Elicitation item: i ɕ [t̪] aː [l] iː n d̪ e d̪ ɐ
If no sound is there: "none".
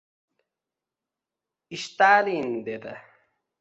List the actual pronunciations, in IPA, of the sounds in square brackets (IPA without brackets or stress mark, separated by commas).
t̪, l